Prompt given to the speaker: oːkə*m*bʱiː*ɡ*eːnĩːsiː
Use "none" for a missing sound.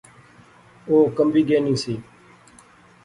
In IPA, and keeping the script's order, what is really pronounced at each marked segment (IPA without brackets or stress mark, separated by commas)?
m, ɡ